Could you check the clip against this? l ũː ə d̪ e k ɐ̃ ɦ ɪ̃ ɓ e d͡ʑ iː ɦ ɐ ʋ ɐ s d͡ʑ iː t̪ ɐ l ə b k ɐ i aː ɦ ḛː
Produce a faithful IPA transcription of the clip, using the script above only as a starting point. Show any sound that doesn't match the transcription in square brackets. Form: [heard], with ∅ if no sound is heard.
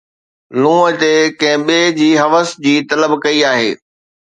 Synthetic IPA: l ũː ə [t̪] e k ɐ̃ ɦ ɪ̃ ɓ e d͡ʑ iː ɦ ɐ ʋ [ə] s d͡ʑ iː t̪ ɐ l ə b k ɐ i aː ɦ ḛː

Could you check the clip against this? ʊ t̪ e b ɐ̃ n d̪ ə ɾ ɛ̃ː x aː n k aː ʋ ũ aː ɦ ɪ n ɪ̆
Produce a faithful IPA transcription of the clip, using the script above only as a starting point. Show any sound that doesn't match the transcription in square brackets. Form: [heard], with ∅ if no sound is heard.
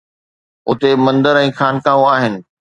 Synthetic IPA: ʊ t̪ e [m] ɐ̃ n d̪ ə ɾ ɛ̃ː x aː n k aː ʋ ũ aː ɦ ɪ n ɪ̆

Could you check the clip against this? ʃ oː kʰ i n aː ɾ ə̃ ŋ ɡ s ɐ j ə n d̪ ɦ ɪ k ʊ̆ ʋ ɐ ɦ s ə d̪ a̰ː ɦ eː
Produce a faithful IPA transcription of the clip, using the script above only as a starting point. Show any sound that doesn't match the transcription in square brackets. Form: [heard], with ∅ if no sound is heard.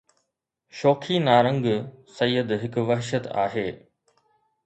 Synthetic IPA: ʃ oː kʰ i n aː ɾ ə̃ ŋ ɡ s ɐ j ə [∅] d̪ ɦ ɪ k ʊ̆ ʋ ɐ ɦ [ʃ] ə [t̪] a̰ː ɦ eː

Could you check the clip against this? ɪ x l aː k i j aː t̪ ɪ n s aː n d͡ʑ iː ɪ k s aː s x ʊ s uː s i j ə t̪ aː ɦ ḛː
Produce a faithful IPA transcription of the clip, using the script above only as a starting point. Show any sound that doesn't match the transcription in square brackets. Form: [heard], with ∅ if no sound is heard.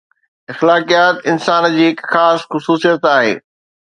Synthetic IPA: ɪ x l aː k i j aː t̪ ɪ n s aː n d͡ʑ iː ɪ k [x] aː s x ʊ s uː s i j ə t̪ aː ɦ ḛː

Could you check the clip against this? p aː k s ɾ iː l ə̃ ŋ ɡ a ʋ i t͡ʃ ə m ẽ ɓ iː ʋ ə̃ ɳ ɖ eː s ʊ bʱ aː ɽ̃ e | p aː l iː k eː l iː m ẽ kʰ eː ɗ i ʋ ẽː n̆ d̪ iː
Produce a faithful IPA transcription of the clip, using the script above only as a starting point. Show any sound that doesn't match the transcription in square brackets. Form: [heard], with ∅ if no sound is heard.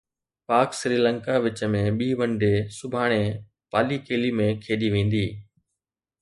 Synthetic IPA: p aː k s ɾ iː l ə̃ ŋ [k] a ʋ [ɪ] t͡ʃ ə m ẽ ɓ iː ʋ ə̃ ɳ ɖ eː s ʊ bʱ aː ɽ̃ e | p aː l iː k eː l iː m ẽ kʰ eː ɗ i ʋ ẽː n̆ d̪ iː

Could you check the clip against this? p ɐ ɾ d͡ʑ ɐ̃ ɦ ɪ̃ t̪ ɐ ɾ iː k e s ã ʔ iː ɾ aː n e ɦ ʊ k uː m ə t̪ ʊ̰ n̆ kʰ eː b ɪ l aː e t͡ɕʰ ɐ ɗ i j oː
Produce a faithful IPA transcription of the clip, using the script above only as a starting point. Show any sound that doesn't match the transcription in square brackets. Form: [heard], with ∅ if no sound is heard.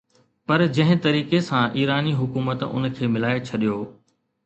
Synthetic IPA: p ɐ ɾ d͡ʑ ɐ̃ ɦ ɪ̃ t̪ ɐ ɾ iː k e s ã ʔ iː ɾ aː n [i] ɦ ʊ k uː m ə t̪ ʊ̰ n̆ kʰ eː [m] ɪ l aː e t͡ɕʰ ɐ ɗ i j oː

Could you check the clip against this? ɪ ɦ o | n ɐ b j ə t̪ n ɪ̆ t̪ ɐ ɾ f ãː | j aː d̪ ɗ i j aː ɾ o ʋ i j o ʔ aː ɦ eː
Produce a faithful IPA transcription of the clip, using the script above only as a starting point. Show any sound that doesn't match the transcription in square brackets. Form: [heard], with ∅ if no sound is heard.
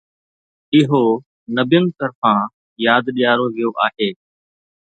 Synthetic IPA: ɪ ɦ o | n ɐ b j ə [∅] n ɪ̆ t̪ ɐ ɾ f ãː | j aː d̪ ɗ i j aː ɾ o ʋ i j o ʔ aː ɦ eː

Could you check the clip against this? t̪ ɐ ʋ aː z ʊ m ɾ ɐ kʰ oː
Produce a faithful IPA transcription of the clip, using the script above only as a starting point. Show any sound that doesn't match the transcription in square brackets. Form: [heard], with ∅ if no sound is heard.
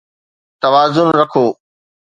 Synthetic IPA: t̪ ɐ ʋ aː z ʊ [n] ɾ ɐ kʰ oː

